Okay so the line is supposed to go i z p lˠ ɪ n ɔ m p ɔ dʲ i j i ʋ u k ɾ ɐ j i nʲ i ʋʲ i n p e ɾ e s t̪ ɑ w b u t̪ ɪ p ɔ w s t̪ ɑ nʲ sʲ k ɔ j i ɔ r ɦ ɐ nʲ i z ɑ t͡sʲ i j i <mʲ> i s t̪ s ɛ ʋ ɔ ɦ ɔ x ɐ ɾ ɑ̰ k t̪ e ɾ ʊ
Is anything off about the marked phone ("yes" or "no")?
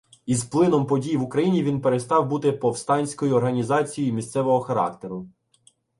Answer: no